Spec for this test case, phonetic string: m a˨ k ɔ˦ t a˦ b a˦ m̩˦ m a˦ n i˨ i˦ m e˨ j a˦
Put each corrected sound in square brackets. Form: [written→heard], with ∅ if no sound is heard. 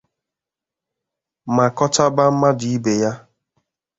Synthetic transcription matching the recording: m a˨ k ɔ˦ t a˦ b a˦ m̩˦ m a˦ [n→d] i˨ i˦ [m→b] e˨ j a˦